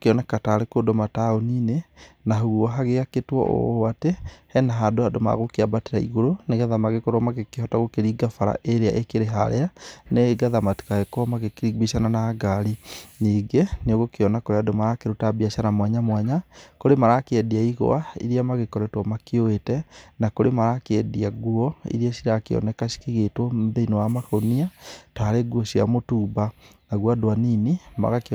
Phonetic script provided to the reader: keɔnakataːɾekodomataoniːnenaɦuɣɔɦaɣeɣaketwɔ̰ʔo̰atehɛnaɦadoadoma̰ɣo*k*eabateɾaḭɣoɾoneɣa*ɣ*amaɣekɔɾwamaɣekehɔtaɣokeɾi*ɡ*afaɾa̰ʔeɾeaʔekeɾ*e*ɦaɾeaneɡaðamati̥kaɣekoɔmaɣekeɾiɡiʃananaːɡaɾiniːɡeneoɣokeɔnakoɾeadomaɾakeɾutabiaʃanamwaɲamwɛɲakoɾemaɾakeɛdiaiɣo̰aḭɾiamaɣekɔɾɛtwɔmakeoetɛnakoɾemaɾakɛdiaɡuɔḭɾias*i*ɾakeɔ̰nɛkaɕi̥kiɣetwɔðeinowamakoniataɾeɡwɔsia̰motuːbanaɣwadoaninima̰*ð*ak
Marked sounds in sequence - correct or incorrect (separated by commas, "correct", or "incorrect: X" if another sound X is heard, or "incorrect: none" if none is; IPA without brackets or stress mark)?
correct, incorrect: ð, correct, correct, correct, incorrect: ɣ